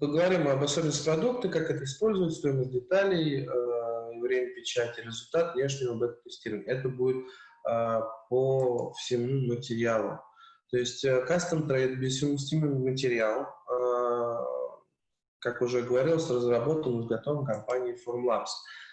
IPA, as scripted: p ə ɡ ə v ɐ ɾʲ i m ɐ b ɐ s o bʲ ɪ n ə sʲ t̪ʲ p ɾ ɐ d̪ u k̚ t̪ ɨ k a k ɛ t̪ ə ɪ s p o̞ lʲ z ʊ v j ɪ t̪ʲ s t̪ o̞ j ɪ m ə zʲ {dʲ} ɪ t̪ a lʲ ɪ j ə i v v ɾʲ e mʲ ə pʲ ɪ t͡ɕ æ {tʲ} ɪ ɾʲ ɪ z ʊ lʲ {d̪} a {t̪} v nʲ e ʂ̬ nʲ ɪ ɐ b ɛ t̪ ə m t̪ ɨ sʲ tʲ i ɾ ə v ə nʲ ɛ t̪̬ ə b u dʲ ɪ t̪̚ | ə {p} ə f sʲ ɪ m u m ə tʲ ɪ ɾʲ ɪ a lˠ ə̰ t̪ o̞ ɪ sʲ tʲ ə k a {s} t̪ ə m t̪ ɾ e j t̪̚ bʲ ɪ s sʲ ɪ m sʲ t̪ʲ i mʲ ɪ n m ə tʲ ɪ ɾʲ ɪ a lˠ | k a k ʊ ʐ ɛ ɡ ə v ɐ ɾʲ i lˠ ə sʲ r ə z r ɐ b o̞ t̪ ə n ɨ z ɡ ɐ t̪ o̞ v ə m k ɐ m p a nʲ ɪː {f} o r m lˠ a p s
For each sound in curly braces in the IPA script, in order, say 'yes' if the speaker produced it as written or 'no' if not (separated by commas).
yes, yes, no, yes, yes, yes, yes